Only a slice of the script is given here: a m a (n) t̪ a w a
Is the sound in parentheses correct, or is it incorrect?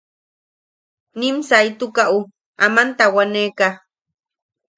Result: correct